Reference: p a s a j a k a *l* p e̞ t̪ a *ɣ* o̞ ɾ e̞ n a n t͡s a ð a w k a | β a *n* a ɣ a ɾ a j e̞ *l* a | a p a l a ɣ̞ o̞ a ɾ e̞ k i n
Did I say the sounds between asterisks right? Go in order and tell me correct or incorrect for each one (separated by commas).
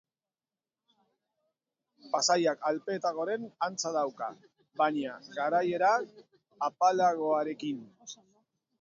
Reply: correct, correct, incorrect, incorrect